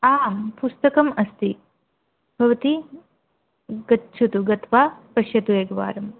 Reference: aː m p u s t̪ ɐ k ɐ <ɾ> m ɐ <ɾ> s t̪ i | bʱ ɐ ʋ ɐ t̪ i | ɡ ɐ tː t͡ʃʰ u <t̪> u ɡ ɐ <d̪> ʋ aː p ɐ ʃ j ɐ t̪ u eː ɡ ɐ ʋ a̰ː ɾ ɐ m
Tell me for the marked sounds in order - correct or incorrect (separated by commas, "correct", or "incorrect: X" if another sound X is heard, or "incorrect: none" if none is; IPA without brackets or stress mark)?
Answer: incorrect: none, incorrect: none, correct, incorrect: t̪